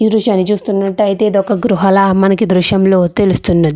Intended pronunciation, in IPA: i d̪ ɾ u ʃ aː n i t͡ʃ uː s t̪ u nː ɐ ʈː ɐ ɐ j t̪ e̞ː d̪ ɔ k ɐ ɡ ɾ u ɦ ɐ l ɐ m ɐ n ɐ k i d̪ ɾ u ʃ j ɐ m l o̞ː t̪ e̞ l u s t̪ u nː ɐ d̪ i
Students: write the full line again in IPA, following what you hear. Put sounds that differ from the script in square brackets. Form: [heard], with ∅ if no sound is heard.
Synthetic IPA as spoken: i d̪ ɾ u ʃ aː n i t͡ʃ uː s t̪ u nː ɐ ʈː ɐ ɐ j t̪ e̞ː d̪ ɔ k ɐ ɡ ɾ u ɦ ɐ l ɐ m ɐ n ɐ k i d̪ ɾ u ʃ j ɐ m l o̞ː t̪ e̞ l u s t̪ u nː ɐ d̪ i